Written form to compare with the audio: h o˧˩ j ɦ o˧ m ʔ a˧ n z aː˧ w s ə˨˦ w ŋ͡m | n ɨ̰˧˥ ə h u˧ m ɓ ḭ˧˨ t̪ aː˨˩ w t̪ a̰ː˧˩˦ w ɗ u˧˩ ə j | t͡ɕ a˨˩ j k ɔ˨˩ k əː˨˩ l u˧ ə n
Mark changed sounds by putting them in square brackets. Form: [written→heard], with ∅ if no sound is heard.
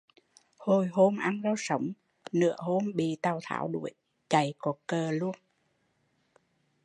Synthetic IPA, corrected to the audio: h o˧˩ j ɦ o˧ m ʔ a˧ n z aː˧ w s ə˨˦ w ŋ͡m | n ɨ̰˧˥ ə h [u˧→o˧] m ɓ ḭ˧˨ t̪ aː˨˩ w [t̪→t̪ʰ] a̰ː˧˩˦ w ɗ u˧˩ ə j | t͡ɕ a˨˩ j k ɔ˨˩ k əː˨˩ l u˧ ə n